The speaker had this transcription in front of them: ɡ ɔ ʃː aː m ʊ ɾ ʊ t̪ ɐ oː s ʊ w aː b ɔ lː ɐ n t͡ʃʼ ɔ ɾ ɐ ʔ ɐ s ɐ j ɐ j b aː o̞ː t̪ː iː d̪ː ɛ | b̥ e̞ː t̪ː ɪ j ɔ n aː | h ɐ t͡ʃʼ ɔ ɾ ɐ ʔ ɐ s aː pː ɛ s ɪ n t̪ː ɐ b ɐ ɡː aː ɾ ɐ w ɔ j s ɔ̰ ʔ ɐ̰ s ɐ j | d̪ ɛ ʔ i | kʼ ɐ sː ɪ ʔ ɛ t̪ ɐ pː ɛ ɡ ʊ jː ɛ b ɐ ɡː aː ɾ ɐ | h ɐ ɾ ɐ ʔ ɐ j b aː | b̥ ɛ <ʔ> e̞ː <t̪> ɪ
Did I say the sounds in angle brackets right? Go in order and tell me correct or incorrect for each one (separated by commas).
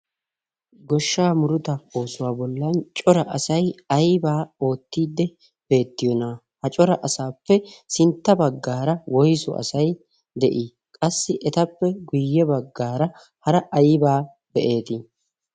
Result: correct, correct